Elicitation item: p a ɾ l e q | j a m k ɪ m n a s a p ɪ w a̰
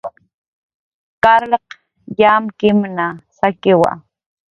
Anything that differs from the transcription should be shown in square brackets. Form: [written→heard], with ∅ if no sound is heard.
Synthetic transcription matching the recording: [p→k] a ɾ l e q | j a m k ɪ m n a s a [p→k] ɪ w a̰